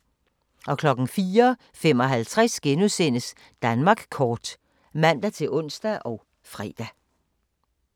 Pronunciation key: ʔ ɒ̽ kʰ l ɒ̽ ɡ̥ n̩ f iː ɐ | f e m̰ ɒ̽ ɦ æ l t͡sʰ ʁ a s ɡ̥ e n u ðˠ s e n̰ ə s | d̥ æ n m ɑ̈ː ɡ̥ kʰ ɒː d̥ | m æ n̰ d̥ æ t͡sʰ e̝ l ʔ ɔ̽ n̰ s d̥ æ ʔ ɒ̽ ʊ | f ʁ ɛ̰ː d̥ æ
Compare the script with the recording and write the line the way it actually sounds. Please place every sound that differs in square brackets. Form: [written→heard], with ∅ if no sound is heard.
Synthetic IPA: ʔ ɒ̽ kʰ l ɒ̽ ɡ̥ n̩ f iː ɐ | f e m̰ ɒ̽ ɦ æ l t͡sʰ ʁ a s ɡ̥ e n u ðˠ s e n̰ ə s | d̥ æ n m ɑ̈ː ɡ̥ kʰ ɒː d̥ | m æ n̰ d̥ æ t͡sʰ e̝ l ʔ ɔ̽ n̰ s d̥ æ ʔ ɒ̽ ʊ | f ʁ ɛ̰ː d̥ æ

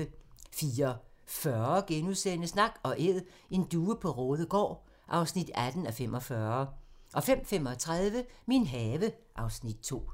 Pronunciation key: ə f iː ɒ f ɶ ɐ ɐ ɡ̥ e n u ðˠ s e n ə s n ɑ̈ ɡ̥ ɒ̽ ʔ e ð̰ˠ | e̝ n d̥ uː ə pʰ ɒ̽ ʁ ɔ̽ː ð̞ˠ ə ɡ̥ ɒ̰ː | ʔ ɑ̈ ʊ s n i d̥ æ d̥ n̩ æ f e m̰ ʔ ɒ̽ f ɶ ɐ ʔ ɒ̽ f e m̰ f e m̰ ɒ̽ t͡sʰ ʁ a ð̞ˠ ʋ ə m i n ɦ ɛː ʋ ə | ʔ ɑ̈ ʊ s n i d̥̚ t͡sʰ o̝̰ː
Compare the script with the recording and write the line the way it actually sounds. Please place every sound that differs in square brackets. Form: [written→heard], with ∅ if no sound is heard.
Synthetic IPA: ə f iː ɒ f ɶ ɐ ɐ ɡ̥ e n u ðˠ s e n ə s n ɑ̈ ɡ̥ ɒ̽ ʔ e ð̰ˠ | e̝ n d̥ uː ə pʰ ɒ̽ ʁ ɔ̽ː ð̞ˠ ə ɡ̥ ɒ̰ː | ʔ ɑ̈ ʊ s n i d̥ æ d̥ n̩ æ f e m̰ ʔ ɒ̽ f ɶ ɐ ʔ ɒ̽ f e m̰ f e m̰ ɒ̽ t͡sʰ ʁ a ð̞ˠ ʋ ə m i n ɦ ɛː ʋ ə | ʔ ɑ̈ ʊ s n i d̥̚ t͡sʰ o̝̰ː

